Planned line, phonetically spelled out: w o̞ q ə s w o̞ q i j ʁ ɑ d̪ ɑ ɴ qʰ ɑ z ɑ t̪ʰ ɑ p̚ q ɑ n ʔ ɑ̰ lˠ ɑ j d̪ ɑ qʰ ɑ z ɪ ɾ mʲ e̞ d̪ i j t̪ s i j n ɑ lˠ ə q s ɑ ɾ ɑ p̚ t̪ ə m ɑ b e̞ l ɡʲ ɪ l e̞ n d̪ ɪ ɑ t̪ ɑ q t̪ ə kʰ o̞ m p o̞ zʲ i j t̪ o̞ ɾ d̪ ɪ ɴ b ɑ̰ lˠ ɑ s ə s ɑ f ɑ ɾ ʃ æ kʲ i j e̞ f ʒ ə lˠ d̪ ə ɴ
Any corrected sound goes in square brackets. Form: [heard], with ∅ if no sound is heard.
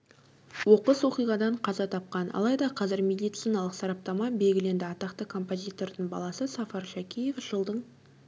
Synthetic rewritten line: w o̞ q ə s w o̞ q i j ʁ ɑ d̪ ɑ ɴ qʰ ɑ z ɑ t̪ʰ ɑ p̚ q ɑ n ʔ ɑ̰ lˠ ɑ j d̪ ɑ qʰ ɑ z ɪ ɾ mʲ e̞ d̪ i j t̪ s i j n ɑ lˠ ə q s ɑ ɾ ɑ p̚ t̪ [ɑ] m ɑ b e̞ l ɡʲ ɪ l e̞ n d̪ ɪ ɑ t̪ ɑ q t̪ ə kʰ o̞ m p o̞ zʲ i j t̪ o̞ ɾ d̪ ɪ ɴ b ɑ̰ lˠ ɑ s ə s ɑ f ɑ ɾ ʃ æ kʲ i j e̞ f ʒ ə lˠ d̪ ə ɴ